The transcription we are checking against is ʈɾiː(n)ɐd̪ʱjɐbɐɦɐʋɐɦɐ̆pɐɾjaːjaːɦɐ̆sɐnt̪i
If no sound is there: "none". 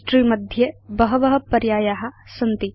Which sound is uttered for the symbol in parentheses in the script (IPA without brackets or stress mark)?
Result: m